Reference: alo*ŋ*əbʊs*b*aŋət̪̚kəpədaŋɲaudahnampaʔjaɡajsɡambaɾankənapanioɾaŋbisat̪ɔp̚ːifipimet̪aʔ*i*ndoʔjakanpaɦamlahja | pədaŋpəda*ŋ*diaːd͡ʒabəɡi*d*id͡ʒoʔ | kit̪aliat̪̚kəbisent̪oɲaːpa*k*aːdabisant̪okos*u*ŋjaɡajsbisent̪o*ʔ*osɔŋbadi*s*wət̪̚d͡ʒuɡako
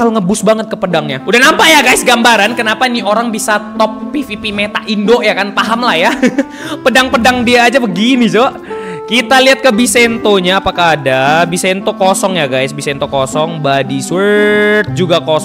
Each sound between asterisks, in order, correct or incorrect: correct, correct, correct, correct, incorrect: n, correct, incorrect: ɔ, incorrect: k, correct

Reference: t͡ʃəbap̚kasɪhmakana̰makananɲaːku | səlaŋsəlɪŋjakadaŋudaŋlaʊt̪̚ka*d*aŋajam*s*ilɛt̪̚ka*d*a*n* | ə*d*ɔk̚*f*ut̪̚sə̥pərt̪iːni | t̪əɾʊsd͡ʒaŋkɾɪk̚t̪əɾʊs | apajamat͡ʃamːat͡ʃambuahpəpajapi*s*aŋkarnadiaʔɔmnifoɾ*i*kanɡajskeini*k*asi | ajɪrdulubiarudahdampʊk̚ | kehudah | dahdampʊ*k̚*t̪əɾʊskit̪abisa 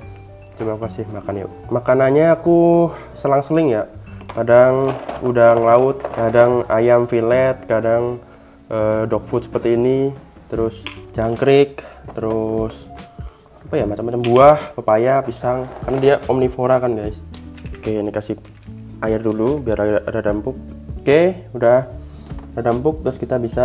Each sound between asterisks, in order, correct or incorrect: correct, incorrect: f, correct, incorrect: ŋ, correct, correct, correct, incorrect: a, correct, correct

